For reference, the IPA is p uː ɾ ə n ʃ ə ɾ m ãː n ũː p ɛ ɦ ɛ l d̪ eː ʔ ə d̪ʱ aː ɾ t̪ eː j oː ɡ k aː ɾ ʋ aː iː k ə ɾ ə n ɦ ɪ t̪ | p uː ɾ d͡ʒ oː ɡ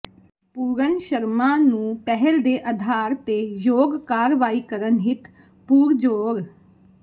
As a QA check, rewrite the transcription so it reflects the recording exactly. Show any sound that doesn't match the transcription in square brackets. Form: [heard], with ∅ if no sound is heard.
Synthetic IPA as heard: p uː ɾ ə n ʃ ə ɾ m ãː n ũː p ɛ ɦ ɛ l d̪ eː ʔ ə d̪ʱ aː ɾ t̪ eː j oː ɡ k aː ɾ ʋ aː iː k ə ɾ ə n ɦ ɪ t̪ | p uː ɾ d͡ʒ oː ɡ